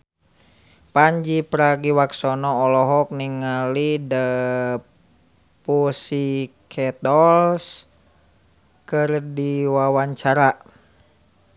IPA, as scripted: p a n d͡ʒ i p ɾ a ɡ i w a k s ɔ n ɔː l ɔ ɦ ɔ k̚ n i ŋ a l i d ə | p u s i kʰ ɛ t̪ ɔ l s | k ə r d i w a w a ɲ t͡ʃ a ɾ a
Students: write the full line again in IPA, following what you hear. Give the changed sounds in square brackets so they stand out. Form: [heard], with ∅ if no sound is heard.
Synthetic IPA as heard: p a [ɲ] d͡ʒ i p ɾ a ɡ i w a k s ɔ n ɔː l ɔ ɦ ɔ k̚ n i ŋ a l i d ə | p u s i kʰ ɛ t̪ ɔ l s | k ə r d i w a w a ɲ t͡ʃ a ɾ a